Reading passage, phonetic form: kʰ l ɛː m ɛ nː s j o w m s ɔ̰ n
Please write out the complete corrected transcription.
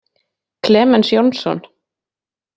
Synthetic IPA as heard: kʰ l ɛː m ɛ n s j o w n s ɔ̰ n